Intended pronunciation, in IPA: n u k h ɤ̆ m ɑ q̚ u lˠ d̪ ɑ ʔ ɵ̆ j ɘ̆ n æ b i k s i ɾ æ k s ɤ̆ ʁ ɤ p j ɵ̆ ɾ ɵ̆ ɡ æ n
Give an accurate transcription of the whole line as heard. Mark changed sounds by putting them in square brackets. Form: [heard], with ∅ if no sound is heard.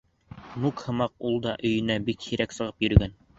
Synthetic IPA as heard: n u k h ɤ̆ m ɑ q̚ u lˠ d̪ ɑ ʔ ɵ̆ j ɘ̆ n æ b i k [h] i ɾ æ k s ɤ̆ ʁ ɤ p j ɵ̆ ɾ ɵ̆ ɡ æ n